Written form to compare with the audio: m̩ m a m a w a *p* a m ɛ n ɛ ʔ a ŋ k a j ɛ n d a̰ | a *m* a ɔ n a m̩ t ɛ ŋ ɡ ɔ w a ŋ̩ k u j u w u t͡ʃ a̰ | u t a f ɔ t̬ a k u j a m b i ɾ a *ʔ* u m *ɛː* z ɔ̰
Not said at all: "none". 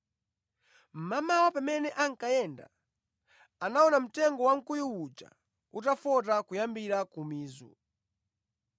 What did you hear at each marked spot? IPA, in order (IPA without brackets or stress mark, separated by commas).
p, n, k, iː